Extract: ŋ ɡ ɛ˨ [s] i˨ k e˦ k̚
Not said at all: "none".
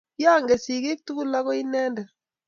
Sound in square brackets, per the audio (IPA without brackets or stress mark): s